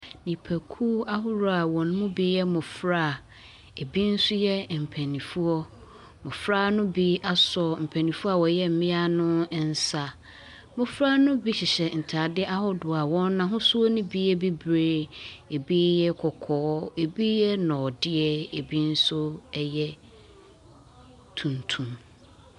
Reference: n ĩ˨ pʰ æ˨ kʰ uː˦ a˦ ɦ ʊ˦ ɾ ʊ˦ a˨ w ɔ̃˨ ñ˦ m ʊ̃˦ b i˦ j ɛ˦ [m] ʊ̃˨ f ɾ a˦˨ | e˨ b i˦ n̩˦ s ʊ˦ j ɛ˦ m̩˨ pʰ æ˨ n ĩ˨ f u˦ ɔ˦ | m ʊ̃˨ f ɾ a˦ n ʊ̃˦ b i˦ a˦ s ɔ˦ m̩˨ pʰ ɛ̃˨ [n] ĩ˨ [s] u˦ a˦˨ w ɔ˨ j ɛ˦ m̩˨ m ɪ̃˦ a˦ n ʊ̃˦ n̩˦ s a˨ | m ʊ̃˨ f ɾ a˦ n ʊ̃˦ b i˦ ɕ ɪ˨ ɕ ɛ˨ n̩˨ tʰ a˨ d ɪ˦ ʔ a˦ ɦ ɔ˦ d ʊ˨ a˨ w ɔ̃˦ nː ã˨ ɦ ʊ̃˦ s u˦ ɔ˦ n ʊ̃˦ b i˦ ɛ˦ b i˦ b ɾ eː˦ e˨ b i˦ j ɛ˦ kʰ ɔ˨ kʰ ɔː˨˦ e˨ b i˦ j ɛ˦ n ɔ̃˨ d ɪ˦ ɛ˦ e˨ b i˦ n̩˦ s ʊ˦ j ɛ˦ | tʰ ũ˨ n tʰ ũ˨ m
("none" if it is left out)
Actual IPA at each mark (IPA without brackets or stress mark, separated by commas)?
m, n, f